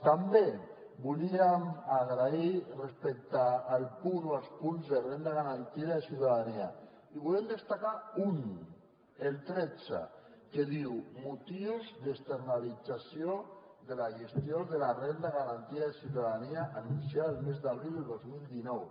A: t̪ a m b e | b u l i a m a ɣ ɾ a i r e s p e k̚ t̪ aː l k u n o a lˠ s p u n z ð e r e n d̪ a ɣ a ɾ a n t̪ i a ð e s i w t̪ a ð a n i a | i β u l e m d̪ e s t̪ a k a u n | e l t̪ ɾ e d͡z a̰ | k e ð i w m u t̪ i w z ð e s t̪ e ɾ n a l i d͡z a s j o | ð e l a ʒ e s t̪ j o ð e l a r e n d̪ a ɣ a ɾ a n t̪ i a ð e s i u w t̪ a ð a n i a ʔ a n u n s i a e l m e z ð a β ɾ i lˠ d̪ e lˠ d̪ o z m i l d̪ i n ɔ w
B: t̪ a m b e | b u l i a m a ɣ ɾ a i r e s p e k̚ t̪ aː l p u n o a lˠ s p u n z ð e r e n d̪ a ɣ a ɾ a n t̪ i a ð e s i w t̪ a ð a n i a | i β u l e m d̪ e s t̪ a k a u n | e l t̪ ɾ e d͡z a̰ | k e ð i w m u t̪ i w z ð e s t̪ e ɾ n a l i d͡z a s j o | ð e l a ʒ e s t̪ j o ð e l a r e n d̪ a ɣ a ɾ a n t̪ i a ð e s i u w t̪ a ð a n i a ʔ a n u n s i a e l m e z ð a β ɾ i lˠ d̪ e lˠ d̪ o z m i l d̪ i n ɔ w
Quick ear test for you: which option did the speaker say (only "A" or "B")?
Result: B